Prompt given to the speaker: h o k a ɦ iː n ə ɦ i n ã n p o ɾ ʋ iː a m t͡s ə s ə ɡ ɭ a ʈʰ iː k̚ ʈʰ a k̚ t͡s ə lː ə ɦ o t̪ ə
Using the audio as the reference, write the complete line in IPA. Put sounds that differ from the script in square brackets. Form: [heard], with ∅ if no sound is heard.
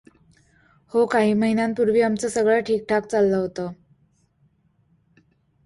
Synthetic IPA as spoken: h o k a ɦ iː [m] ə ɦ i n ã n p [u] ɾ ʋ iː a m t͡s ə s ə ɡ ɭ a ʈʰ iː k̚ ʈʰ a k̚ t͡s [a] lː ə ɦ o t̪ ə